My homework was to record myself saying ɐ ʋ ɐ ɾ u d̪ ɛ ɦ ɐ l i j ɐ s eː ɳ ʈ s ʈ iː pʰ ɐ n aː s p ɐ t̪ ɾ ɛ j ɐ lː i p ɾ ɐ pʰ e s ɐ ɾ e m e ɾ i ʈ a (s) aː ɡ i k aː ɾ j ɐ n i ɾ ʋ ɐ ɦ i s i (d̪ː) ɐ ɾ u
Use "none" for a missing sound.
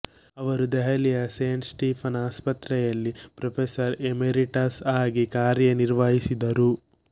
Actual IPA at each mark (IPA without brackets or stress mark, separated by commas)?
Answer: s, d̪